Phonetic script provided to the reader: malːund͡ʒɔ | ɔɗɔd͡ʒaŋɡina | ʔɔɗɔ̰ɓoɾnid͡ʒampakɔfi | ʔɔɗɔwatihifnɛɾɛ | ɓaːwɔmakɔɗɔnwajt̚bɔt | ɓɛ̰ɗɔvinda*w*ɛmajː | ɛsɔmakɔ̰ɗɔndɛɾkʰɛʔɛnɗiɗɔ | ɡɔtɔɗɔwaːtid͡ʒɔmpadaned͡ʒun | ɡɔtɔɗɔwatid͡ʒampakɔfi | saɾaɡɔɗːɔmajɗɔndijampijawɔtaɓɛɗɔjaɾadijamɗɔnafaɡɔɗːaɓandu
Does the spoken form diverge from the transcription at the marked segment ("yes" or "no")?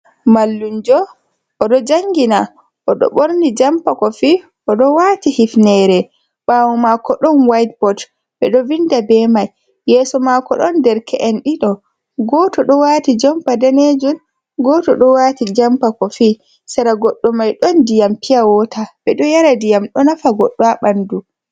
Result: yes